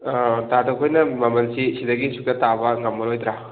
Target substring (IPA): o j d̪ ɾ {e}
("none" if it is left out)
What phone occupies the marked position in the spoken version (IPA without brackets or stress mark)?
a